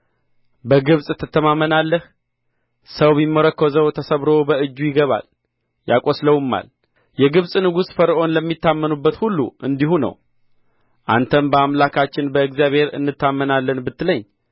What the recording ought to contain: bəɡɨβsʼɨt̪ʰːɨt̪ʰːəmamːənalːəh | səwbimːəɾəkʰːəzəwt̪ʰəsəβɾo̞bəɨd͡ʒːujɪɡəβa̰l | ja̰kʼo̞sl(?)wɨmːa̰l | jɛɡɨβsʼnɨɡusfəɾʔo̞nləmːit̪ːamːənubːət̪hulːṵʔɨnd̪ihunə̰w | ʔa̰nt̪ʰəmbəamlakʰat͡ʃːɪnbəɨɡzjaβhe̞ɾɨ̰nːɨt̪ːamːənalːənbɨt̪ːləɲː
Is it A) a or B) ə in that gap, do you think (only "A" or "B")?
B